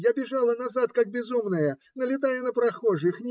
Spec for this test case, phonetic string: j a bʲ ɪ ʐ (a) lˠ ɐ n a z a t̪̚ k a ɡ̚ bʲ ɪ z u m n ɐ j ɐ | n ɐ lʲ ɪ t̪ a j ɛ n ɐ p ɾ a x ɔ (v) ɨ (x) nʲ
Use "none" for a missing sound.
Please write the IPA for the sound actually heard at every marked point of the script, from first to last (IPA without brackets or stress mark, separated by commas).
a, ʐ, x